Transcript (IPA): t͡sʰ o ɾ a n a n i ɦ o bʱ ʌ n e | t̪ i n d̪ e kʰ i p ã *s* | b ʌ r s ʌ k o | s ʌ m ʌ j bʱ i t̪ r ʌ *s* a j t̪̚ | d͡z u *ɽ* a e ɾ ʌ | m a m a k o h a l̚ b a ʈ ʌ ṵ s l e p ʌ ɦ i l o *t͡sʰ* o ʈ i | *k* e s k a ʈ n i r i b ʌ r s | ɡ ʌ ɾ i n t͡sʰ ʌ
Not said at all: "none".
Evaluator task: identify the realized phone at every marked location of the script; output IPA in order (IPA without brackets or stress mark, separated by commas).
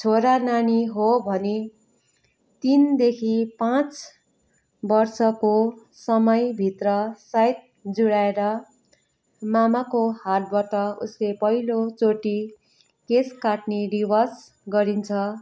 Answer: t͡s, s, ɽ, t͡s, k